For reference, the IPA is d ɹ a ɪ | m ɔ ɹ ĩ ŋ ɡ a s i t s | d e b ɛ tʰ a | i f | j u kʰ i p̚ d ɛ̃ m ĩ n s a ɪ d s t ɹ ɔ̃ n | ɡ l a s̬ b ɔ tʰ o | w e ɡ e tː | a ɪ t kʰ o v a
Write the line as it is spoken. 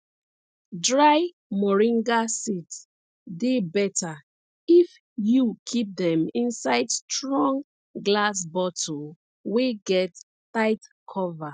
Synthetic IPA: d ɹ a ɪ | m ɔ ɹ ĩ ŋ ɡ a s i t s | d e b ɛ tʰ a | i f | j u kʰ i p̚ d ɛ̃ m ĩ n s a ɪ d s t ɹ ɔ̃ ŋ | ɡ l a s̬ b ɔ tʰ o | w e ɡ ɛ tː | a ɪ t kʰ ɔ v a